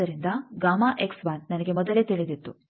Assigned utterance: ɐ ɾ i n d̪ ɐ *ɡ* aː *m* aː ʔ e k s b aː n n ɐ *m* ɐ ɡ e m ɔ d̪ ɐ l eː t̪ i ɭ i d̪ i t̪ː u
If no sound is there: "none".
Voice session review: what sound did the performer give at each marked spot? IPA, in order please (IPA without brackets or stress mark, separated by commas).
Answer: ɡ, m, n